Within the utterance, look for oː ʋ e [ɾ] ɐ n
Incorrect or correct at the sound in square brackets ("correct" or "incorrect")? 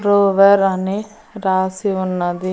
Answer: correct